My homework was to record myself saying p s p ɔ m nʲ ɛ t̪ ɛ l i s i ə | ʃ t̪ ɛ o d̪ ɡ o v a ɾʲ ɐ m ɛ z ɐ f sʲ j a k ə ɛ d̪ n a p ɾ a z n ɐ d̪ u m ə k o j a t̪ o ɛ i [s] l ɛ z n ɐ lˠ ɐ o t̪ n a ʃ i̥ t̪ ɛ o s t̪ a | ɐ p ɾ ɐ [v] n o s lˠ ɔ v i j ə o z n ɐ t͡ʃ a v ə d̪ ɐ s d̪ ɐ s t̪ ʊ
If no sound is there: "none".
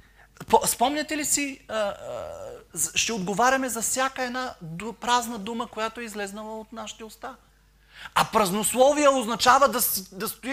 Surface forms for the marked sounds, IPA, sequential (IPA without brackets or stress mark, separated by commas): z, z